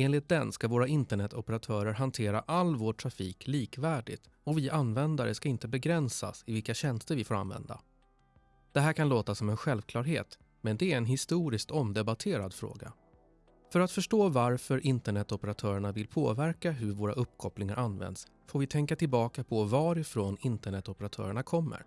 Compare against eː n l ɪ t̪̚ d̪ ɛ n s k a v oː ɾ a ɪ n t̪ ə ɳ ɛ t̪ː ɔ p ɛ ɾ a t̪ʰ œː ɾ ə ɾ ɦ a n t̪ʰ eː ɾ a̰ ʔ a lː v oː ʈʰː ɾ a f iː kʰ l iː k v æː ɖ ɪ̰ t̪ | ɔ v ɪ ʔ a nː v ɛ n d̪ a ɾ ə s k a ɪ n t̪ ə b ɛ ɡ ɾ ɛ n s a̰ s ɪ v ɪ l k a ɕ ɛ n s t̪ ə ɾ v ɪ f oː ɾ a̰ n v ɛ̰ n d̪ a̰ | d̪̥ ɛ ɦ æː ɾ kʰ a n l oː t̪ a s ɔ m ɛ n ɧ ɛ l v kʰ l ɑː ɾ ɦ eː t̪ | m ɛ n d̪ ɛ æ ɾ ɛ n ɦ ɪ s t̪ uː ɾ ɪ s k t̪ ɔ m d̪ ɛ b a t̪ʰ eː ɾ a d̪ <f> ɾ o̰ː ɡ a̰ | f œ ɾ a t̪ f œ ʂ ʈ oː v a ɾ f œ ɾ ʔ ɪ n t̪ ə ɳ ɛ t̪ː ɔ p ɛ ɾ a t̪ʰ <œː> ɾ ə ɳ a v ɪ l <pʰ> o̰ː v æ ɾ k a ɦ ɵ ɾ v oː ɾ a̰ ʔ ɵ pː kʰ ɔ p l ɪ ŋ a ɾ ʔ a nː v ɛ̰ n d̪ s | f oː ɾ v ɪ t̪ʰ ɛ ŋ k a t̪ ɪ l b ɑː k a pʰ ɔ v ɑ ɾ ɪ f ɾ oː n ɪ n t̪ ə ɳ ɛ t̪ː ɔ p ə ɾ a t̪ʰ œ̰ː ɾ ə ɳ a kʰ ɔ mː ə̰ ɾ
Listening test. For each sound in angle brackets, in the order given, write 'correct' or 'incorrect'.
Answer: correct, correct, correct

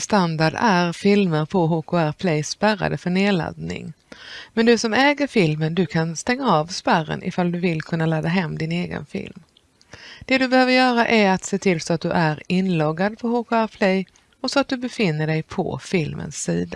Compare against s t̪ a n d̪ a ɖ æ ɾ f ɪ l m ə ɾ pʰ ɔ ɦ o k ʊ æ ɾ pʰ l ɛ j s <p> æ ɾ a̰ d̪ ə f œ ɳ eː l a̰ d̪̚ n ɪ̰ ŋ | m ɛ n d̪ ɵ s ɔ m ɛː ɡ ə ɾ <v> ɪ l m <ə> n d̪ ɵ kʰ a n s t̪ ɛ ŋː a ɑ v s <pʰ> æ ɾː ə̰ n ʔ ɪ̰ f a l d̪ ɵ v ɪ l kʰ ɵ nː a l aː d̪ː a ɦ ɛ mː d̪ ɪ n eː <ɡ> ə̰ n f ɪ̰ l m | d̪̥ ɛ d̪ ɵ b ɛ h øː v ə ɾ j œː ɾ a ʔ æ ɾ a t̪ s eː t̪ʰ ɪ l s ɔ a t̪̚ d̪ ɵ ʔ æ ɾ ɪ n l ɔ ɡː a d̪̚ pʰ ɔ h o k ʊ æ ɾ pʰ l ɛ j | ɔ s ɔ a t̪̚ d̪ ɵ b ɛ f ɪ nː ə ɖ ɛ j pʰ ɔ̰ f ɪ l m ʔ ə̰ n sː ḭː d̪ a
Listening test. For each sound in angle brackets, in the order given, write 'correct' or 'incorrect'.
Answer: correct, incorrect, correct, incorrect, correct

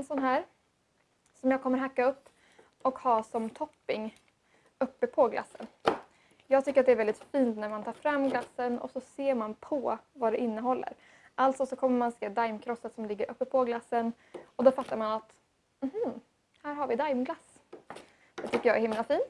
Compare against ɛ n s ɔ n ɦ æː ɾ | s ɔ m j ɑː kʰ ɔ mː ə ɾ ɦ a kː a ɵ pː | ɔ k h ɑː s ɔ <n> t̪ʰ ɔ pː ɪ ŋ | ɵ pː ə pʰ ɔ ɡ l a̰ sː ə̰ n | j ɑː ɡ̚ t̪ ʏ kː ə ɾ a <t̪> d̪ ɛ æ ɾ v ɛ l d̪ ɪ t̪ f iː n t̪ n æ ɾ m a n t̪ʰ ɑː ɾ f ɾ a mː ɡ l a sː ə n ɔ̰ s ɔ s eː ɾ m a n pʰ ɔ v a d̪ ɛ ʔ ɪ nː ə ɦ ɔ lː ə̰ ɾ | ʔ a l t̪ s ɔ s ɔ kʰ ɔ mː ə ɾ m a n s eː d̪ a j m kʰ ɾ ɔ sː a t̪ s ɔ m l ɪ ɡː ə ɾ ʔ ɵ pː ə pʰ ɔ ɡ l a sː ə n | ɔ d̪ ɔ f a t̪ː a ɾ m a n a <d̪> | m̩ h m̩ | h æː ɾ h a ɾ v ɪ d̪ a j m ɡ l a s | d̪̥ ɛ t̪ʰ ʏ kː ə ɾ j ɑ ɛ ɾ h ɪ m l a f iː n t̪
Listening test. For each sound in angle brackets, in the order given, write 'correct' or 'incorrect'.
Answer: incorrect, correct, incorrect

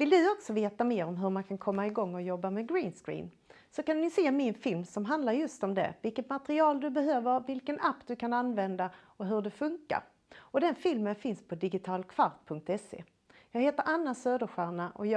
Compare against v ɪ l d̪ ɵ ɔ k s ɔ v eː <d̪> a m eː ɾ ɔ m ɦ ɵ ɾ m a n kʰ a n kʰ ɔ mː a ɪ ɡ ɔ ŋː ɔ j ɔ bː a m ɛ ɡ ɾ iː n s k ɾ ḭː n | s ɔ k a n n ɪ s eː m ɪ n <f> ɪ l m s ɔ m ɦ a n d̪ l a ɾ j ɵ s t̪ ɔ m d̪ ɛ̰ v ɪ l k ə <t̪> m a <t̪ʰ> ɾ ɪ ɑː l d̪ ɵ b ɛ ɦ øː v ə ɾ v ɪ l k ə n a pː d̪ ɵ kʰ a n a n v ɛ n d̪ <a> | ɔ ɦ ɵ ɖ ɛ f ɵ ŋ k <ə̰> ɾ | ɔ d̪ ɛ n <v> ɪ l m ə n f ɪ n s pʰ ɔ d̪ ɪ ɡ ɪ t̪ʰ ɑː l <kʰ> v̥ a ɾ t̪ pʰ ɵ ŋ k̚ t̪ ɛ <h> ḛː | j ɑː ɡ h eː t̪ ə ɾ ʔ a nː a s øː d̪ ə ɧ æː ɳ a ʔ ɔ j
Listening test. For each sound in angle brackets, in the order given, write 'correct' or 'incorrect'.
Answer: incorrect, correct, correct, incorrect, correct, incorrect, incorrect, correct, incorrect

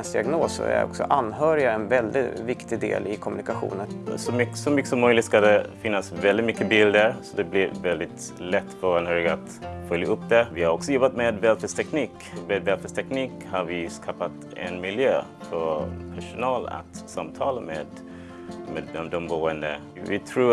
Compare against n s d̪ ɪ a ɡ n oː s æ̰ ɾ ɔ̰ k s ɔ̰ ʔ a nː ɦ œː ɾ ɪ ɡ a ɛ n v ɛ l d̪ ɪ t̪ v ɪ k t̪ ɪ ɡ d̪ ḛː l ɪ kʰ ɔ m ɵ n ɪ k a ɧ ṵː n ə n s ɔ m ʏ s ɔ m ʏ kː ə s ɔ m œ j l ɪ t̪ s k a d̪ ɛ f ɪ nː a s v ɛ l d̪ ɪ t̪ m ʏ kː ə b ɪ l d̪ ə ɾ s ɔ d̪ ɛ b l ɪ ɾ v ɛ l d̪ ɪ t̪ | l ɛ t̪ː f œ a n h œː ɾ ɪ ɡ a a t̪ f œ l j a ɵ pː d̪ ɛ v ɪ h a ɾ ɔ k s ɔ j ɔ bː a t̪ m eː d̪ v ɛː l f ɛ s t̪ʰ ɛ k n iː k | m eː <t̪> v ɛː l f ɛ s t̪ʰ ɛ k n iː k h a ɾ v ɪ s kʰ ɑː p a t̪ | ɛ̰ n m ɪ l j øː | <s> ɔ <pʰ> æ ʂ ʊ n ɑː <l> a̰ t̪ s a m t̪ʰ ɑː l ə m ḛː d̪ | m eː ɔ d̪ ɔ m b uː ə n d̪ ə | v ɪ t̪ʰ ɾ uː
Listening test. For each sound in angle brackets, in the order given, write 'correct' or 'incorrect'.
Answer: incorrect, incorrect, correct, correct

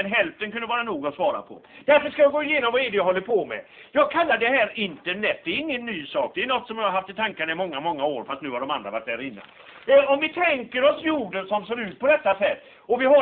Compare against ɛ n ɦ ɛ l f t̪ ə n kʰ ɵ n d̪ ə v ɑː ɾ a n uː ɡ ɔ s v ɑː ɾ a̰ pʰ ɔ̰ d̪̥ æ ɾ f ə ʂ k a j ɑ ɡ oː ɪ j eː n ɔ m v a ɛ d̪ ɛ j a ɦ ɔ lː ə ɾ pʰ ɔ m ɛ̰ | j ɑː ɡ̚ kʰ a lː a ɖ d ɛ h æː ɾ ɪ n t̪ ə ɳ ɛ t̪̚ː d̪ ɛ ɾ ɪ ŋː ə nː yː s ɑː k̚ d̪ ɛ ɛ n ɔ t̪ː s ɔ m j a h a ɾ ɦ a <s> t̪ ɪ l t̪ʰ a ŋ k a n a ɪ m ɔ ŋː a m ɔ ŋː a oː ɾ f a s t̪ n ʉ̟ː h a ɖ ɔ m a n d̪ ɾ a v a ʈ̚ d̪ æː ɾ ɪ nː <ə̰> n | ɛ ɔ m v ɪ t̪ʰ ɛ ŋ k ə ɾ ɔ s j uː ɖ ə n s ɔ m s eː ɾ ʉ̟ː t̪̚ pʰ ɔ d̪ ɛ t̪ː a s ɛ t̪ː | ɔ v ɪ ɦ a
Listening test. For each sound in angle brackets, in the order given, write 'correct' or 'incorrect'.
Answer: incorrect, incorrect

